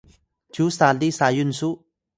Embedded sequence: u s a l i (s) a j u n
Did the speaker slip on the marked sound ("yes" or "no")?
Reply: no